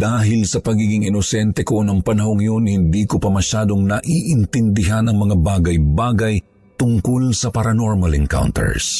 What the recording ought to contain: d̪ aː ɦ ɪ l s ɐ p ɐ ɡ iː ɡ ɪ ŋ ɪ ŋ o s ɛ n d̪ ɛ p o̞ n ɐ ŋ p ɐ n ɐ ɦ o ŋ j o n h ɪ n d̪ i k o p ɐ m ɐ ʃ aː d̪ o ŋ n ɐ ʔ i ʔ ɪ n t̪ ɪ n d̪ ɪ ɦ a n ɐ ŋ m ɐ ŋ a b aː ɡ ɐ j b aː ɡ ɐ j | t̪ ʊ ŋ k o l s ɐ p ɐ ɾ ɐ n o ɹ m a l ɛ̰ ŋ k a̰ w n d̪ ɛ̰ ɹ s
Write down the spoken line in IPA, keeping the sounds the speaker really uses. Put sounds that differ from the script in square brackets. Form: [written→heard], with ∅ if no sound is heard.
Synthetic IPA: d̪ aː ɦ ɪ l s ɐ p ɐ ɡ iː ɡ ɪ ŋ ɪ [ŋ→n] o s ɛ n [d̪→t̪] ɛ [p→k] o̞ n ɐ ŋ p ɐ n ɐ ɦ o ŋ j o n h ɪ n d̪ i k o p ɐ m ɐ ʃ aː d̪ o ŋ n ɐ ʔ i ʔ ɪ n t̪ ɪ n d̪ ɪ ɦ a n ɐ ŋ m ɐ ŋ a b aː ɡ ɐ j b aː ɡ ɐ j | t̪ ʊ ŋ k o l s ɐ p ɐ ɾ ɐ n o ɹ m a l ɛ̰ ŋ k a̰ w n [d̪→t̪] ɛ̰ ɹ s